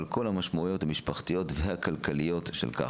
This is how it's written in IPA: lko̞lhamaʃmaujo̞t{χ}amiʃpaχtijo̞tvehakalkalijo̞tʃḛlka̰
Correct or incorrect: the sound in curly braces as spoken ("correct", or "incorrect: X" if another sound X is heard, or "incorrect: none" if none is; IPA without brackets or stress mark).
incorrect: h